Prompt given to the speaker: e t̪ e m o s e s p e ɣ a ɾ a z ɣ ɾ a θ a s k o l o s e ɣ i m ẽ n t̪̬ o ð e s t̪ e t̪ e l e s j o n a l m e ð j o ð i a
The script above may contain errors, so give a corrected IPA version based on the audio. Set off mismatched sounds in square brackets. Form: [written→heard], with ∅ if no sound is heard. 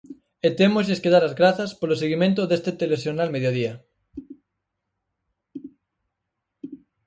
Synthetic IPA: e t̪ e m o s e s [p→k] e [ɣ→ð] a ɾ a z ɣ ɾ a θ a s [k→p] o l o s e ɣ i m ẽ n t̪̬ o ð e s t̪ e t̪ e l e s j o n a l m e ð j o ð i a